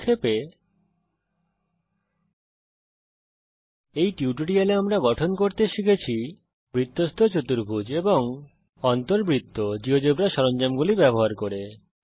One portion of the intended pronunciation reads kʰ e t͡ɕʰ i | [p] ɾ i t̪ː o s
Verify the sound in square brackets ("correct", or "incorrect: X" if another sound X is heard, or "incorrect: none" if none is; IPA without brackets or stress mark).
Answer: incorrect: b